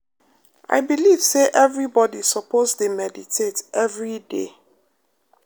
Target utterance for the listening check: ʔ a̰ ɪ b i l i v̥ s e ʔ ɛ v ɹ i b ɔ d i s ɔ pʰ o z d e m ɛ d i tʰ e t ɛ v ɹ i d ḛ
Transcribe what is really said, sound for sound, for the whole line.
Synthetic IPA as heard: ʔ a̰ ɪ b i l i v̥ s e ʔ ɛ v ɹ i b ɔ d i s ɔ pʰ o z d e m ɛ d i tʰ e t ɛ v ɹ i d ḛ